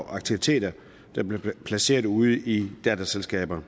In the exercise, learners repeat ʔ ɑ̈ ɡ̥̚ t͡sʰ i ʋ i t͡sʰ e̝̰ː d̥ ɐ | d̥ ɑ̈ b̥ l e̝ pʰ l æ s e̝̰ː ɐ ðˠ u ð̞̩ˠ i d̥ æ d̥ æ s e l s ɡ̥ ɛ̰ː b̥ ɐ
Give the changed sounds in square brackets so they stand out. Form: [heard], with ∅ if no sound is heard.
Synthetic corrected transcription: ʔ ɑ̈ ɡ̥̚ t͡sʰ i ʋ i t͡sʰ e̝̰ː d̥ ɐ | d̥ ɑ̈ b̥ l e̝ pʰ l æ s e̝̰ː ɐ ðˠ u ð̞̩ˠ i d̥ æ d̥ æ s e l s ɡ̥ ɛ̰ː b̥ ɐ